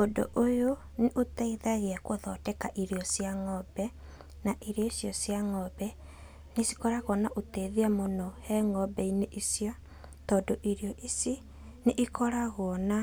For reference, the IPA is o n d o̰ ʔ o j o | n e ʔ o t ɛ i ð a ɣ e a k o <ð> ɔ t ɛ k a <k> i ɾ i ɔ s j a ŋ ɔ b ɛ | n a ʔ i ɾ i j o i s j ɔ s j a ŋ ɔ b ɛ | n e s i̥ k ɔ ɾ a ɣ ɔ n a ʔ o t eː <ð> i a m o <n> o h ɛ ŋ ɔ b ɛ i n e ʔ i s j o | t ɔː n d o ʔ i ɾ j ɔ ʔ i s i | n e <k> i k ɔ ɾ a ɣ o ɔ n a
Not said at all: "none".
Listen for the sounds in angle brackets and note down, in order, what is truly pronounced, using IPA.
ð, ʔ, ð, n, ʔ

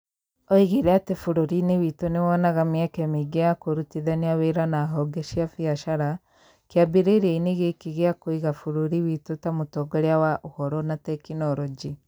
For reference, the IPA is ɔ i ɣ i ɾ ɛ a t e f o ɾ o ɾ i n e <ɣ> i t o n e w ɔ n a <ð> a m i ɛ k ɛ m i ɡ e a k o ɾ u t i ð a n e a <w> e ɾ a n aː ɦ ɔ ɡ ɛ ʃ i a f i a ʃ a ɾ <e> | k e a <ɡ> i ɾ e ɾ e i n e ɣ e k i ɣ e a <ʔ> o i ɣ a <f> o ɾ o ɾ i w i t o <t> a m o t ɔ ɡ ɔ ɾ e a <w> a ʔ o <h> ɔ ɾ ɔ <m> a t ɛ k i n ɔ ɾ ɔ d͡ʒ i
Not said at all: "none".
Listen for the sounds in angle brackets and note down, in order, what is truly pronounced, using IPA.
w, ɣ, w, a, b, k, f, t, w, h, n

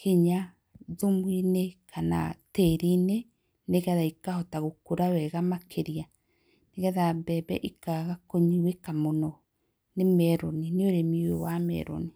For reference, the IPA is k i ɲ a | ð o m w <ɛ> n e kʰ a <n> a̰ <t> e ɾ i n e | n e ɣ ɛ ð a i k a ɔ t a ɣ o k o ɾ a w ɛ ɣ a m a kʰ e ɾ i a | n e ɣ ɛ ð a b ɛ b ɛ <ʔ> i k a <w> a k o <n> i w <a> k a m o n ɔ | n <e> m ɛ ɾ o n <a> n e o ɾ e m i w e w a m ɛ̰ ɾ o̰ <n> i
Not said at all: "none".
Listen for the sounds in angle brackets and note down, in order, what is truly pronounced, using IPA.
i, n, t, ʔ, ɣ, ɲ, e, e, i, n

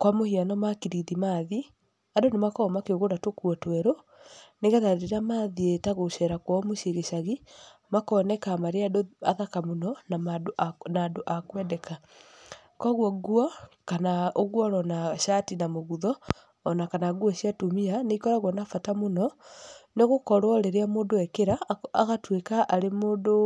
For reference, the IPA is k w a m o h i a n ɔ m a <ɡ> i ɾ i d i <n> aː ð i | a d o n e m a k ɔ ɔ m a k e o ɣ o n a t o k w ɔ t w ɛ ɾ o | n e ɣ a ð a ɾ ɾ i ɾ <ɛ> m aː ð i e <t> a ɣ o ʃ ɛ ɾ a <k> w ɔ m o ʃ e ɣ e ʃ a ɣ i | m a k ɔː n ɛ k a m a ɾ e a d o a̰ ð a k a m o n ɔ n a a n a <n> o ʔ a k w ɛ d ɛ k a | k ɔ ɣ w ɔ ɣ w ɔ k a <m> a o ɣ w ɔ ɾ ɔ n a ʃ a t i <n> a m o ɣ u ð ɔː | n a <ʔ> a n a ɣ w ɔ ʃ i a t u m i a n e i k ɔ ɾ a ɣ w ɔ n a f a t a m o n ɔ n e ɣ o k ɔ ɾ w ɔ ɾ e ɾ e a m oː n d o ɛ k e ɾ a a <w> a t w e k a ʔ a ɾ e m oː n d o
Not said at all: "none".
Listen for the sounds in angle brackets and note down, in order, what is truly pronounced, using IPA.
k, m, a, t, k, d, n, n, k, ɣ

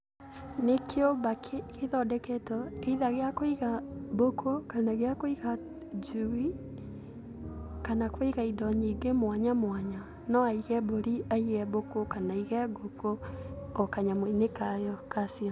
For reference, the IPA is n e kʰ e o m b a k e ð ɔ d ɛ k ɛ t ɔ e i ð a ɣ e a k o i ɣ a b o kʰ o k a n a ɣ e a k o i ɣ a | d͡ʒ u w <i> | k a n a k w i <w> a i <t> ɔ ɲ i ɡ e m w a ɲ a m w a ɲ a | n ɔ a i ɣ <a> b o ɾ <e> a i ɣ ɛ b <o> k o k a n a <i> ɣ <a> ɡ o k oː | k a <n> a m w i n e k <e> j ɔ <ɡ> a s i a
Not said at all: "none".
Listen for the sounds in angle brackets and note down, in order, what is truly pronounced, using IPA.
i, ɣ, d, ɛ, i, o, i, ɛ, ɲ, a, k

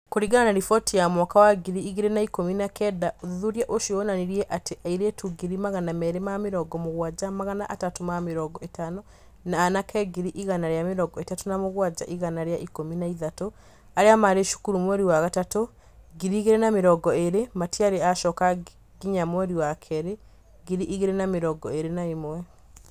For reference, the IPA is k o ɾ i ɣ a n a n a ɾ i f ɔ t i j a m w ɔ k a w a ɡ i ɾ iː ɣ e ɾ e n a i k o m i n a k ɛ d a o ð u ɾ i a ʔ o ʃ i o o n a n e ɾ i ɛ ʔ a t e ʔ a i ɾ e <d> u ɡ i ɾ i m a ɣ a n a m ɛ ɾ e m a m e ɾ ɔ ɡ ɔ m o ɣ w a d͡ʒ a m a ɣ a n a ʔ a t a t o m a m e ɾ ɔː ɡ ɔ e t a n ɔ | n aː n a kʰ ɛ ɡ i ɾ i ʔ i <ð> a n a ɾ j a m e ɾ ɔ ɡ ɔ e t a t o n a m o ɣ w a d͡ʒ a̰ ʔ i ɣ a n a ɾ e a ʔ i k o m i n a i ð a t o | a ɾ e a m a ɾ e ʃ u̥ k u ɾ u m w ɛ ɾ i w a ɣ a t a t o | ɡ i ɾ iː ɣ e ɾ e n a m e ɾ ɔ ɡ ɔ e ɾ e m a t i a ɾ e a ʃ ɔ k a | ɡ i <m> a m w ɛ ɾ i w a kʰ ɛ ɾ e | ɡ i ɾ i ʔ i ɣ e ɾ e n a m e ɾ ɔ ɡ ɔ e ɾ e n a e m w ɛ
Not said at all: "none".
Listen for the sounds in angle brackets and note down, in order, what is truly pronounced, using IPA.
t, ɣ, ɲ

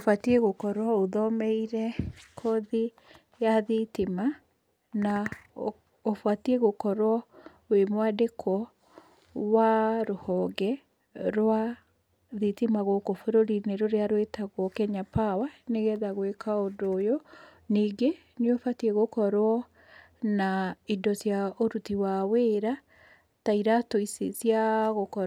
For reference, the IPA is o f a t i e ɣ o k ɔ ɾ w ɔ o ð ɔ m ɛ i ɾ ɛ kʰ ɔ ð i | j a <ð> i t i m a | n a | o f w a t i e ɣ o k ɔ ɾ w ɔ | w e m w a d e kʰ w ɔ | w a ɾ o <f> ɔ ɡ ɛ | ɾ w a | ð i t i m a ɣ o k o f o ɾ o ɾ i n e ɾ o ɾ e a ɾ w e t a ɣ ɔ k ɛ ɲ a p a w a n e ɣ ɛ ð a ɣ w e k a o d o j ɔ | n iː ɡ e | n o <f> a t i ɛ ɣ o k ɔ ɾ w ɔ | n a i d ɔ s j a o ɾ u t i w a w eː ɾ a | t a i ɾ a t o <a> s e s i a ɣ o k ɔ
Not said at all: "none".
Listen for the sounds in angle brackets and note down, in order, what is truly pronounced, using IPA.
ð, h, f, i

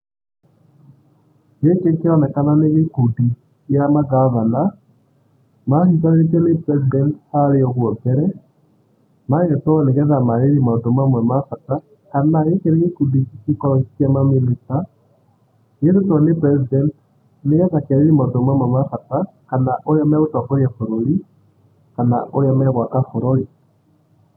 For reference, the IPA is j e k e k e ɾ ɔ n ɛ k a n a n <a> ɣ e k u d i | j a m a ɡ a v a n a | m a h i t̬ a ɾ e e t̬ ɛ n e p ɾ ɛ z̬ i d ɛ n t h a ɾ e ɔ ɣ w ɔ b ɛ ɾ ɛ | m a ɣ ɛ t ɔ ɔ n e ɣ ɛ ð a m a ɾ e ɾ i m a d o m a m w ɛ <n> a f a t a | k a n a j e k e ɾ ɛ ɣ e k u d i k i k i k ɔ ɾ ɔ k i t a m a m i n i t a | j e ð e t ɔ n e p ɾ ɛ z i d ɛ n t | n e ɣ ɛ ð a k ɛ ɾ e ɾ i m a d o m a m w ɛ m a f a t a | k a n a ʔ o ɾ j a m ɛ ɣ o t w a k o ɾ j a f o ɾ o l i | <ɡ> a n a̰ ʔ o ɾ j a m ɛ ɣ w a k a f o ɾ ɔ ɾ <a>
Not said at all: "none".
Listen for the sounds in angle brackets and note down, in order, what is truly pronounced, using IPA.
e, m, k, i

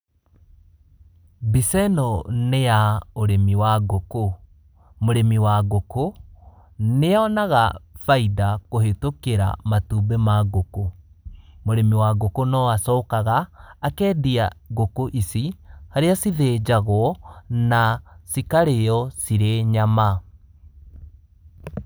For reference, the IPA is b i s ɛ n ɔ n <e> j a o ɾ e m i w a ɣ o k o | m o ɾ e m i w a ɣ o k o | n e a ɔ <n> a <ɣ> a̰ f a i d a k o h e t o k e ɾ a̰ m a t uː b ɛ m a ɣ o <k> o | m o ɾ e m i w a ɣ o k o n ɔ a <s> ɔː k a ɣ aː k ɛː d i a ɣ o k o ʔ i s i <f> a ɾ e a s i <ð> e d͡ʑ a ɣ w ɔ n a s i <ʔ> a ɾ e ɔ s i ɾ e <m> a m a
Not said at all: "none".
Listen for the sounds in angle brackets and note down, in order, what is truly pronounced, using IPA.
e, n, ɣ, k, s, h, ð, k, ɲ

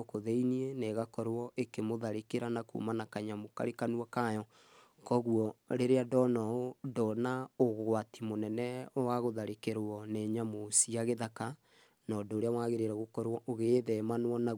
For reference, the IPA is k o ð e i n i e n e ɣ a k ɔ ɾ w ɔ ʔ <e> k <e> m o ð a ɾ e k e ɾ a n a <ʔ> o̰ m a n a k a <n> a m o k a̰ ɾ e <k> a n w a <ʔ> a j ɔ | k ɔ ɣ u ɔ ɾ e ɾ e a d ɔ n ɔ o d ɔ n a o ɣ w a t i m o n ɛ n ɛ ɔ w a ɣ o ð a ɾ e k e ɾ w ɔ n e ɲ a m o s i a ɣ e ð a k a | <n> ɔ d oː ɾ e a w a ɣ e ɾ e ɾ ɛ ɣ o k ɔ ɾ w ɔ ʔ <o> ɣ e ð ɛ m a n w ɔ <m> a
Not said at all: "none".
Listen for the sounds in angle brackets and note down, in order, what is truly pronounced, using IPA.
e, e, k, ɲ, k, k, n, o, n

